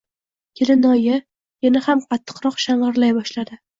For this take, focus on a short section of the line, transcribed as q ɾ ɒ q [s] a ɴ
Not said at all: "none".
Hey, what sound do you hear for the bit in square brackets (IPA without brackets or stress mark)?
ʃ